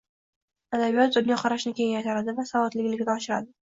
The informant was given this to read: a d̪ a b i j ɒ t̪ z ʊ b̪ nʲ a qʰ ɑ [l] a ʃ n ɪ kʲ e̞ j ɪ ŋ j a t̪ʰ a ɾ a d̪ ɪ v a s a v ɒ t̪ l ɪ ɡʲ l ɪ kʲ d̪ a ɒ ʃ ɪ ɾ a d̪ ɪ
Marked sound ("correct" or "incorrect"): incorrect